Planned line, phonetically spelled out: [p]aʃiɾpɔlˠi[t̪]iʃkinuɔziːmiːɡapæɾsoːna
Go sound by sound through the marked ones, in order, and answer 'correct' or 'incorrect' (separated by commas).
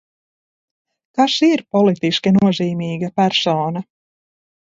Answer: incorrect, correct